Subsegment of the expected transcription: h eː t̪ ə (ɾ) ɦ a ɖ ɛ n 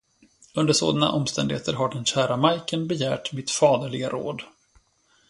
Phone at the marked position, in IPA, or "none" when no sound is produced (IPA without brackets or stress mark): ɾ